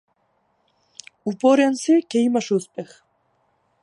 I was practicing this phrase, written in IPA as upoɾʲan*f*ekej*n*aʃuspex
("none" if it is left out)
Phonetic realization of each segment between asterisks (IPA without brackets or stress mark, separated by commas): s, m